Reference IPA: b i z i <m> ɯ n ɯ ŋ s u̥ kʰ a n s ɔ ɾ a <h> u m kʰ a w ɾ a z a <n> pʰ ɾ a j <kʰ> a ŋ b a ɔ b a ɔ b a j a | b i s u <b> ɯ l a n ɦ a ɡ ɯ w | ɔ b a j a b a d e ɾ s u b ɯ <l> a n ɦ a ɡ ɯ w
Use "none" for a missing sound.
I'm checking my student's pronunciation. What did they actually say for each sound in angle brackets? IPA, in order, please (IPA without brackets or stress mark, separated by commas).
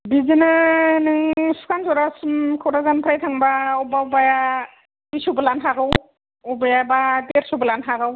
n, s, n, tʰ, b, l